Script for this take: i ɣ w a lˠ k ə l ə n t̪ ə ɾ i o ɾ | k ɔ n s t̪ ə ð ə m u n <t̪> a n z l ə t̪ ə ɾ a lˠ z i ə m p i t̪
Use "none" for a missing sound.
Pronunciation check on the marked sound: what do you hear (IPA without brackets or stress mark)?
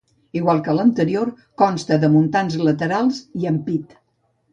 t̪